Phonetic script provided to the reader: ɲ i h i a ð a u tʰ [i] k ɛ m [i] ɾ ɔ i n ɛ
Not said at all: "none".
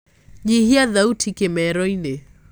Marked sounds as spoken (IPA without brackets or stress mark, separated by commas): i, ɛ